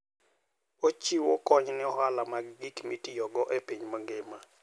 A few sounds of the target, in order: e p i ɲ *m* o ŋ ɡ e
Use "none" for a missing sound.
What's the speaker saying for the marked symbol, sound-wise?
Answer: m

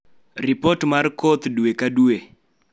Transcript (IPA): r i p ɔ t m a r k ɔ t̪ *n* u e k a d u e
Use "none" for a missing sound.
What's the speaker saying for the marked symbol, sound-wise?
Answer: d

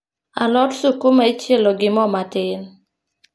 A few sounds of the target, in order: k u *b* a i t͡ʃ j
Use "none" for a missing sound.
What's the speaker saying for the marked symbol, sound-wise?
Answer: m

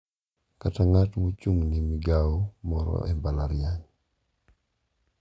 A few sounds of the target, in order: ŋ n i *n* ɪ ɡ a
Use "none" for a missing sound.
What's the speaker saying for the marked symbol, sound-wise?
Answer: m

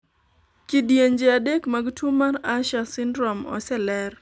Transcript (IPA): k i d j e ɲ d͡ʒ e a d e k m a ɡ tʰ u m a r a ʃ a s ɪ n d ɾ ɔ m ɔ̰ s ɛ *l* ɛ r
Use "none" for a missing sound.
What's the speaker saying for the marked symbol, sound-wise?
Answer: l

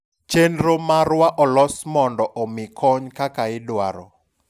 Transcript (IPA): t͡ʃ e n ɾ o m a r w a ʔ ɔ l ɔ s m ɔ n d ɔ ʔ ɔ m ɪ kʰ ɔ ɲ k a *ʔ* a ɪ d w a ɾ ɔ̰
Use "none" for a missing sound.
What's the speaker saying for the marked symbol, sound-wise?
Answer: k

